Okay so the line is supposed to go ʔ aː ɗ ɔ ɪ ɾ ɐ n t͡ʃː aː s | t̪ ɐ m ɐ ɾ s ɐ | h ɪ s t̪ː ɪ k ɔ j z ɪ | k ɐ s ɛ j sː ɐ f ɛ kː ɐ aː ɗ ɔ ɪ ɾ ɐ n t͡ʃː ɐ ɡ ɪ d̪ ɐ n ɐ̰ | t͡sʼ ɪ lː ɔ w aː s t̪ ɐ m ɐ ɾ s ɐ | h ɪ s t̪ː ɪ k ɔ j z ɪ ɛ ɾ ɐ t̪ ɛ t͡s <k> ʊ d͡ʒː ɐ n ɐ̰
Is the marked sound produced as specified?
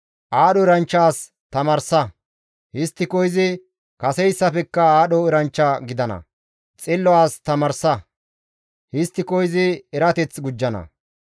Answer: no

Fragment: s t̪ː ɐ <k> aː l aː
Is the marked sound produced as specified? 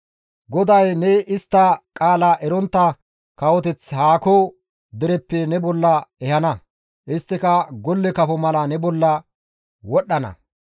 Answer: no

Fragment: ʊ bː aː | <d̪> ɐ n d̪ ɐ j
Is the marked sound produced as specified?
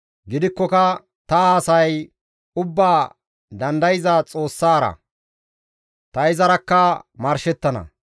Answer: yes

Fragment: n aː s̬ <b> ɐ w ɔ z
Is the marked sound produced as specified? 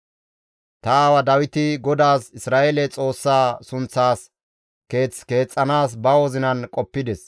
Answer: yes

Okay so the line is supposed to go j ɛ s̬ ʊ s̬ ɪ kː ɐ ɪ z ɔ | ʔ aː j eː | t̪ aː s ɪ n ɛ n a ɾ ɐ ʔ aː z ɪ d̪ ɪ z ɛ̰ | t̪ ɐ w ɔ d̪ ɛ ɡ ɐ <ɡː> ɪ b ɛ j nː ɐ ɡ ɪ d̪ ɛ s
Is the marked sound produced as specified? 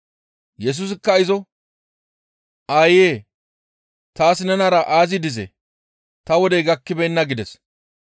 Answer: no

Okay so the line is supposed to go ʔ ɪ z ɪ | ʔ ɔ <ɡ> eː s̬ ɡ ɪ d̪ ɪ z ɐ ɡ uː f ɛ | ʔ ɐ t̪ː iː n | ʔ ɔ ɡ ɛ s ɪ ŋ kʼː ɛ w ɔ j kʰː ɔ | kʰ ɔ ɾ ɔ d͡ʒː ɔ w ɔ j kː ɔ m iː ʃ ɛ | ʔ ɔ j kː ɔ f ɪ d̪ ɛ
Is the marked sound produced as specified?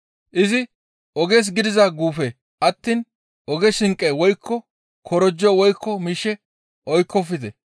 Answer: yes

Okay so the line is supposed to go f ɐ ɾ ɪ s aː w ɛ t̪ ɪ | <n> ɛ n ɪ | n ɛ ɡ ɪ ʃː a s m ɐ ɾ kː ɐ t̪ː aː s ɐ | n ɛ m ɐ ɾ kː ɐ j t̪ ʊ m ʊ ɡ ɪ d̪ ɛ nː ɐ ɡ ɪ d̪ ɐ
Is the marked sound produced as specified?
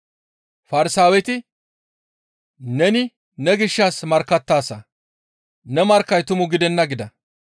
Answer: yes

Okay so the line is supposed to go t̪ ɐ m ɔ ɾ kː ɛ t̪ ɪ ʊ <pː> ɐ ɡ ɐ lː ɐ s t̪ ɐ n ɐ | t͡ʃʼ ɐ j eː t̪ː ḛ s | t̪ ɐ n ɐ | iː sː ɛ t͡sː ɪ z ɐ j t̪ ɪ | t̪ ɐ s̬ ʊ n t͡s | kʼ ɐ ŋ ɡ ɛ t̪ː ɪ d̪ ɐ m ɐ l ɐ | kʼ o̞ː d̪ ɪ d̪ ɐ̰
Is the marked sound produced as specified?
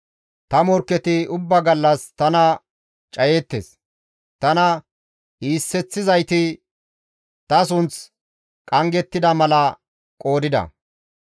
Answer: no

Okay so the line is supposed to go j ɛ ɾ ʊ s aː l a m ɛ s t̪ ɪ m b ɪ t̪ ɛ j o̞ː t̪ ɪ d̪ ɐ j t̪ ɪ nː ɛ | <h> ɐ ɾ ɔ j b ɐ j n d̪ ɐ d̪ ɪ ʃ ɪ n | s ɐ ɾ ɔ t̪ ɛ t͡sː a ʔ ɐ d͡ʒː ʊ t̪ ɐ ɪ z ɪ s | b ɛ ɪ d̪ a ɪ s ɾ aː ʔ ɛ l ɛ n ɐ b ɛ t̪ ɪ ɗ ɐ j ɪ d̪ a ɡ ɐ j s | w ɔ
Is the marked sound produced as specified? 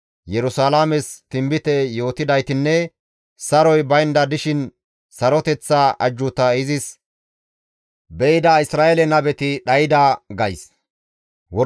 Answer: no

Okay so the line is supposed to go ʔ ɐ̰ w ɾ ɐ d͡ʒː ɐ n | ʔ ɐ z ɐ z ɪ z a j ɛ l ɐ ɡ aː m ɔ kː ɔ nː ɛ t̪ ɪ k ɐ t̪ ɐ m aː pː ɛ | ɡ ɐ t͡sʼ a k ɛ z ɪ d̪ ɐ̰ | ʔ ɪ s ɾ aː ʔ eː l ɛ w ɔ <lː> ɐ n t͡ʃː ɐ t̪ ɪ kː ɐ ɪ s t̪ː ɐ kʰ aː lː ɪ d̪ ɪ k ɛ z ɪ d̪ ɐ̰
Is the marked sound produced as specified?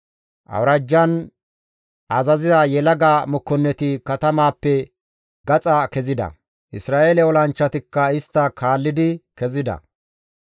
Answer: no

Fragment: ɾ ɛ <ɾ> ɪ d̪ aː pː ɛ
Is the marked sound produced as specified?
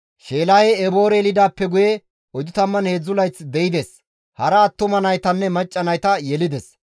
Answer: no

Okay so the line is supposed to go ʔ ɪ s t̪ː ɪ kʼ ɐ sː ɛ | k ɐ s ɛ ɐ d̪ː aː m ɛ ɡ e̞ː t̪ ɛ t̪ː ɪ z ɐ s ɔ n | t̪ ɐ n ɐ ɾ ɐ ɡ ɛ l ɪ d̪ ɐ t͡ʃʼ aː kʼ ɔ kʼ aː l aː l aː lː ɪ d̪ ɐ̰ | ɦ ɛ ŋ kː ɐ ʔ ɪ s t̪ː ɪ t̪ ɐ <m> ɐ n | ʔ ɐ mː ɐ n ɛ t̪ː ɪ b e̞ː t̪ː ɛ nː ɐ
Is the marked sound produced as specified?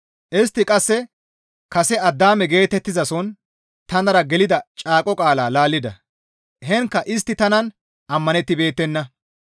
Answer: no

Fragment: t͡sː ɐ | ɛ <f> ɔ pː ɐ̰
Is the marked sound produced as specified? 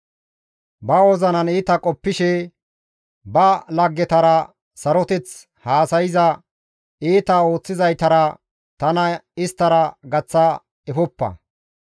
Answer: yes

